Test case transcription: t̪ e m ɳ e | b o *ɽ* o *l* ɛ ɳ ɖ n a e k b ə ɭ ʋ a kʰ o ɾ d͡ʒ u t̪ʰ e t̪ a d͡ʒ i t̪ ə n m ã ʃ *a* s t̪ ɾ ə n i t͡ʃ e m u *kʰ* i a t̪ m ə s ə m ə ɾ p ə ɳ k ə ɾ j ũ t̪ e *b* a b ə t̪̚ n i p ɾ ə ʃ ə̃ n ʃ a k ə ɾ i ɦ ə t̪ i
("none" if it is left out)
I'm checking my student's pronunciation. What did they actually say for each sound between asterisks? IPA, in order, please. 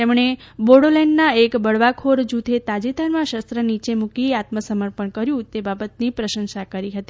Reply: ɽ, l, ə, k, b

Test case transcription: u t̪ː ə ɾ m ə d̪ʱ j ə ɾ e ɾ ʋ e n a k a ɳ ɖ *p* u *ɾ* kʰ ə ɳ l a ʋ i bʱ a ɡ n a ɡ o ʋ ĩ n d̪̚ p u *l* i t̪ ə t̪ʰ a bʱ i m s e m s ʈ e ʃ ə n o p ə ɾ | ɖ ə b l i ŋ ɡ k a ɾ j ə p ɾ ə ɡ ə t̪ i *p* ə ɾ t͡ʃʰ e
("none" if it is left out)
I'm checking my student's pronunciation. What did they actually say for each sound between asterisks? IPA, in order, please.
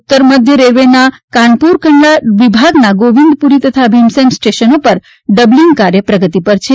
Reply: p, ɾ, ɾ, p

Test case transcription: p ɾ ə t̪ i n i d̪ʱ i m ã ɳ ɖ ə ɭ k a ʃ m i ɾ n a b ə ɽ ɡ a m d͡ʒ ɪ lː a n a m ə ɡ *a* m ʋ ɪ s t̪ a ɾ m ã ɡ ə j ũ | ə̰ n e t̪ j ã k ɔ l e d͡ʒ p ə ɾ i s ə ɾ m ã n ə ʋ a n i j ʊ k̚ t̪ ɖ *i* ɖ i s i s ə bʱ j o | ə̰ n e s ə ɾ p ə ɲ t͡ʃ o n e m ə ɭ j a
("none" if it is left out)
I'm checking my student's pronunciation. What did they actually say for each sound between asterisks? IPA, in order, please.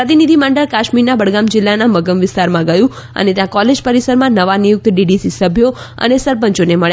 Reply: ə, i

